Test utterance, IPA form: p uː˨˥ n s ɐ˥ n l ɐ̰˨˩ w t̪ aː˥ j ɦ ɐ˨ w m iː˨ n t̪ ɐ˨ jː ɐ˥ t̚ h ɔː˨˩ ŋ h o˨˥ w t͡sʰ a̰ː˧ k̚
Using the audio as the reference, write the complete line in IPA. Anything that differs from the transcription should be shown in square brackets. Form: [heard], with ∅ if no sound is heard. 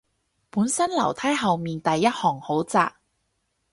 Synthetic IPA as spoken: p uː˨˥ n s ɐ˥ n l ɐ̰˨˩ w [t̪ʰ] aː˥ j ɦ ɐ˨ w m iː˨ n t̪ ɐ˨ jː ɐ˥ t̚ h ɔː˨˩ ŋ h o˨˥ w [t͡s] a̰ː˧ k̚